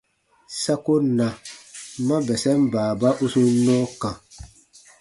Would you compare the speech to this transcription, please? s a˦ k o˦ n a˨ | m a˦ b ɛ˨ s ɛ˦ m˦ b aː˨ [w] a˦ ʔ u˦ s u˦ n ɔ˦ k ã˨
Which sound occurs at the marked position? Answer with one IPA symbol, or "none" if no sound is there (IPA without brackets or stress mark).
b